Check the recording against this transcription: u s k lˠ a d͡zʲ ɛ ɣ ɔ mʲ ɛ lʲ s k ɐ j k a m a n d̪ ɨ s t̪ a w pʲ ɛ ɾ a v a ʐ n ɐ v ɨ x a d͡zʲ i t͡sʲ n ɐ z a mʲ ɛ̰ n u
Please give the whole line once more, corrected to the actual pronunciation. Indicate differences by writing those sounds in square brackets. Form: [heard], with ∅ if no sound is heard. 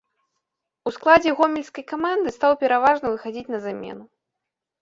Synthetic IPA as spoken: u s k lˠ a d͡zʲ ɛ ɣ ɔ mʲ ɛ lʲ s k ɐ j k a m a n d̪ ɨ s t̪ a w pʲ ɛ ɾ a v a ʐ n ɐ v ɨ x a d͡zʲ i t͡sʲ n ɐ z a mʲ ɛ̰ n u